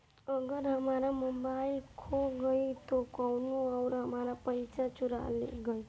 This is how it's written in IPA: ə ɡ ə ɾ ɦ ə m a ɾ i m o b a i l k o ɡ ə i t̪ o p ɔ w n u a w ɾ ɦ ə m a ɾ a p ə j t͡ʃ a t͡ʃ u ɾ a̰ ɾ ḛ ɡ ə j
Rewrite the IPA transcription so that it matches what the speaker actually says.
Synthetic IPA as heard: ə ɡ ə ɾ ɦ ə m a ɾ a m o b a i l kʰ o ɡ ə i t̪ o k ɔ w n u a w ɾ ɦ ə m a ɾ a p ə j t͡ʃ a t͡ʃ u ɾ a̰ l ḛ ɡ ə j